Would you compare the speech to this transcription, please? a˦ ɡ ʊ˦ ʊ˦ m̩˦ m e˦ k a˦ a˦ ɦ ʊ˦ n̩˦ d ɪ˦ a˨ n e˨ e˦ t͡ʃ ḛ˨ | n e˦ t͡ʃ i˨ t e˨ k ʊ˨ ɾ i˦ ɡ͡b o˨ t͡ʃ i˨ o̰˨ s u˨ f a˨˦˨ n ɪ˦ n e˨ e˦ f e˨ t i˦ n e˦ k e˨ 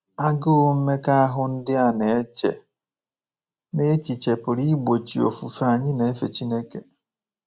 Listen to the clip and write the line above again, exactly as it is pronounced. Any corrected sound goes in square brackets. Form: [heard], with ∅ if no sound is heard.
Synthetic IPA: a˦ ɡ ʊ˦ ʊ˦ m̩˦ m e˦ k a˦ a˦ ɦ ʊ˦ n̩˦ d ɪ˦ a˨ n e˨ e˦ t͡ʃ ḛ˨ | n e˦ t͡ʃ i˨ [t͡ʃ] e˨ [p] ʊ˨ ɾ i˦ ɡ͡b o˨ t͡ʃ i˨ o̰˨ [f] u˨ f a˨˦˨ [ɲ] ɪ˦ n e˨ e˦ f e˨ [t͡ʃ] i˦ n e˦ k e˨